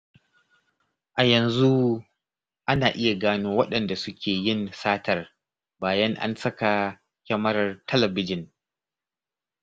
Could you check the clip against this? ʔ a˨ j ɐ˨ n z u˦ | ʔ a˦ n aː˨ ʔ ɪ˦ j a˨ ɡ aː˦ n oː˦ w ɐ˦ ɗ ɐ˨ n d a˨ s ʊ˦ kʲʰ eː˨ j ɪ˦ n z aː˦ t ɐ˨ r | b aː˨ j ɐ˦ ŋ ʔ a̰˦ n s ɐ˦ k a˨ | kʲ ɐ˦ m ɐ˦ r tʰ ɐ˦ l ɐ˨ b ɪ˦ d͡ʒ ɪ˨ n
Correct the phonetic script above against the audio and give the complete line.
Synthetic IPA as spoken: ʔ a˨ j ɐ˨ n z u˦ | ʔ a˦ n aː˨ ʔ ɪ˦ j a˨ ɡ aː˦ n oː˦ w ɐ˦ ɗ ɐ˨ n d a˨ s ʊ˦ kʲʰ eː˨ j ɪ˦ n s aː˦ t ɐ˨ r | b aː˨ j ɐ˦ ŋ ʔ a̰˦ n s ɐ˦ k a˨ | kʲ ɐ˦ m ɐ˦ r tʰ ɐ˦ l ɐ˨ b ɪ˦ d͡ʒ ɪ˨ n